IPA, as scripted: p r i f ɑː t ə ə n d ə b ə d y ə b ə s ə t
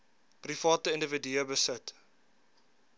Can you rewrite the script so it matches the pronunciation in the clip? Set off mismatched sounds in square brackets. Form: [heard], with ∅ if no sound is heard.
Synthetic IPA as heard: p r i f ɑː t ə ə n d ə [v] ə d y ə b ə s ə t